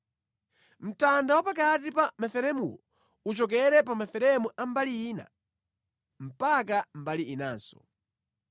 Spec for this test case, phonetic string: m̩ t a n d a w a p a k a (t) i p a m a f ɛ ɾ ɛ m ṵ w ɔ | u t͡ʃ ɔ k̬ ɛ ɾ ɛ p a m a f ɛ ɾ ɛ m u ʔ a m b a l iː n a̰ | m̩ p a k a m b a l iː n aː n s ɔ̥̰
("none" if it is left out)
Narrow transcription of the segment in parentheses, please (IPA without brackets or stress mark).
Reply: t